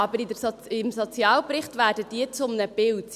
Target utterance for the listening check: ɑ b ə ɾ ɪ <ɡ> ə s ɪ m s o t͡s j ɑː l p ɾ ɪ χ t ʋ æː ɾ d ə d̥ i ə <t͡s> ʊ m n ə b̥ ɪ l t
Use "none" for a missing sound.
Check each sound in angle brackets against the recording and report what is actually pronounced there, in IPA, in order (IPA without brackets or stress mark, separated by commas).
d, t͡s